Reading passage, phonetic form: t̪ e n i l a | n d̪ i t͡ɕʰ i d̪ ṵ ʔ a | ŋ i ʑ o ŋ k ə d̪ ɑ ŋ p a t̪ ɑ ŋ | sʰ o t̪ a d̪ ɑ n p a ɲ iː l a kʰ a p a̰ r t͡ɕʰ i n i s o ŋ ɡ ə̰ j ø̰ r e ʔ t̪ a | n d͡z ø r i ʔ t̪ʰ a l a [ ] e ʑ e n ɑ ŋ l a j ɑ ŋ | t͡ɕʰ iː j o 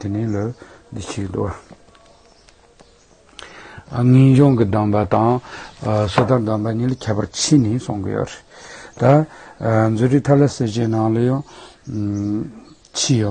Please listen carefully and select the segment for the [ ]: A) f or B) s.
B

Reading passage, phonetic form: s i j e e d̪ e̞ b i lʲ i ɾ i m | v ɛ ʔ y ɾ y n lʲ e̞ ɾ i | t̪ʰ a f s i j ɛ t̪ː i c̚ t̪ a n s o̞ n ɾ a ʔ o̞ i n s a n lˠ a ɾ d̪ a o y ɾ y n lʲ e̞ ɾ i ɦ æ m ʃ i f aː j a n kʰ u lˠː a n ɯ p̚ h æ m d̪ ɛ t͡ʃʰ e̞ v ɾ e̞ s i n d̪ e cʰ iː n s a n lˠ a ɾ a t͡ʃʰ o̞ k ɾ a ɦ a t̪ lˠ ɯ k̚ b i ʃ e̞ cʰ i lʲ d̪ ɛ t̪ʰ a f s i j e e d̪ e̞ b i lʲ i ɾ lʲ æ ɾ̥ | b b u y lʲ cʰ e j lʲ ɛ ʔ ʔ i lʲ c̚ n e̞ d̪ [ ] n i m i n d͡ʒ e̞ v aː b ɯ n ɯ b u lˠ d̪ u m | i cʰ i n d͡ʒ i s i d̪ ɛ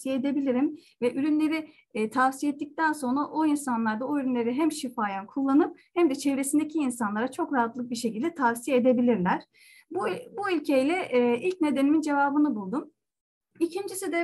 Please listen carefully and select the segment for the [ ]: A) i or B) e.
B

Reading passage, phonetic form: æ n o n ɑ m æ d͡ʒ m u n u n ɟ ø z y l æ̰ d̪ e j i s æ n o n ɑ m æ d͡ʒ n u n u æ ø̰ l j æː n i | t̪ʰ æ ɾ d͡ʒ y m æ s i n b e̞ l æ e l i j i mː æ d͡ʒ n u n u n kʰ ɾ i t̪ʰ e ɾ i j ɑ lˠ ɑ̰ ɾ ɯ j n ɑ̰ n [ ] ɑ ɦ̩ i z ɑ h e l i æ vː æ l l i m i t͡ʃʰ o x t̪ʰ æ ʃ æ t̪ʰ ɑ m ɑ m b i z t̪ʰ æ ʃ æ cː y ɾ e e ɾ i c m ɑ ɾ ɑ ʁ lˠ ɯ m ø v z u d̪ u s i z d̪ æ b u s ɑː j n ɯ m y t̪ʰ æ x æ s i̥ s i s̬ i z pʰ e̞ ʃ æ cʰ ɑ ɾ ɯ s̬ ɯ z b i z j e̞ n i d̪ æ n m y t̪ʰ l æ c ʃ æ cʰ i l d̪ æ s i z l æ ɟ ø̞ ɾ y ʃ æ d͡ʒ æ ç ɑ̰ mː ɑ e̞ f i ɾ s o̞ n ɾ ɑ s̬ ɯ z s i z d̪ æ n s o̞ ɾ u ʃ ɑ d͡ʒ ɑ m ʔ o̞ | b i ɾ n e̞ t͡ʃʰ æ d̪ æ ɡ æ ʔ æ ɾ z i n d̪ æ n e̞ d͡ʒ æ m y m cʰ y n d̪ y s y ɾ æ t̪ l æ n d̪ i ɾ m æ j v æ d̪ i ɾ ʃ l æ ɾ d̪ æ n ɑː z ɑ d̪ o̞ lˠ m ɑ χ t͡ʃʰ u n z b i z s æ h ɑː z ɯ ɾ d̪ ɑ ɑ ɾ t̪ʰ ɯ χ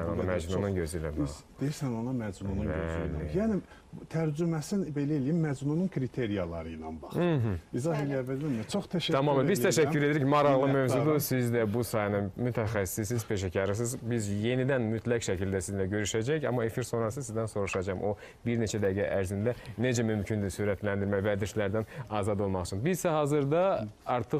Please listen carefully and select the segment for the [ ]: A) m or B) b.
B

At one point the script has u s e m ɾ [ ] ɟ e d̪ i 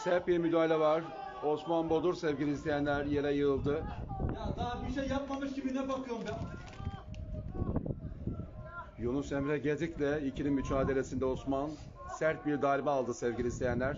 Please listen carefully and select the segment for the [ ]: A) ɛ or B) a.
A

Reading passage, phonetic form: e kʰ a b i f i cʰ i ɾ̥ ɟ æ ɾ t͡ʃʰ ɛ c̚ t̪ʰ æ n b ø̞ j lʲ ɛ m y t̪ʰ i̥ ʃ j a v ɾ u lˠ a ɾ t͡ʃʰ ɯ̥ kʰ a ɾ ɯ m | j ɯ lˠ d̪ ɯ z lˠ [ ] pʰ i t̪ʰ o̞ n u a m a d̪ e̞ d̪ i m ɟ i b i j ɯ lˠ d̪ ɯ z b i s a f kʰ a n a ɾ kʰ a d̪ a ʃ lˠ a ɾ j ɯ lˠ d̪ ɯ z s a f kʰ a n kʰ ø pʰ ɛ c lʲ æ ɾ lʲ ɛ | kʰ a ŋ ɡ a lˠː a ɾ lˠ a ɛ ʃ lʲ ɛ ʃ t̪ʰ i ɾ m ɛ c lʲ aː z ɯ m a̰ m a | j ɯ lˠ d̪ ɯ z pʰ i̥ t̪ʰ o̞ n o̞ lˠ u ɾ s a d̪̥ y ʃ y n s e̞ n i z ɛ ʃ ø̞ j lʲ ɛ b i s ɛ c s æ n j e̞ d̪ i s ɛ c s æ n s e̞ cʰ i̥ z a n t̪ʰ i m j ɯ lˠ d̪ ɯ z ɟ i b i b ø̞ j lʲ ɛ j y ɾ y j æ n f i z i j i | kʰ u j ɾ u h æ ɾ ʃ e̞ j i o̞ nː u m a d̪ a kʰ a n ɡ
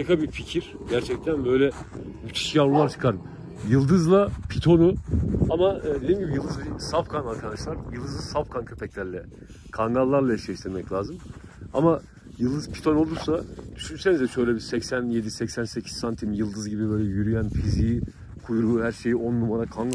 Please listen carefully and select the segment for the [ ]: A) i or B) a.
B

